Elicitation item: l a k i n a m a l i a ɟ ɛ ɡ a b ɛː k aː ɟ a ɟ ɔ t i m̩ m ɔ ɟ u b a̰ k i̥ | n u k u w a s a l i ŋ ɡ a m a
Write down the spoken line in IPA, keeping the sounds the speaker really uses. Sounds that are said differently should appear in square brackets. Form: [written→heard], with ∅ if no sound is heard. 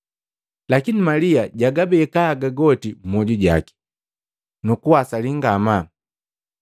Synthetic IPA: l a k i n [a→i] m a l i a ɟ [ɛ→a] ɡ a b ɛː k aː [ɟ→ɡ] a [ɟ→ɡ] ɔ t i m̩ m ɔ ɟ u [b→ɟ] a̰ k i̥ | n u k u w a s a l i ŋ ɡ a m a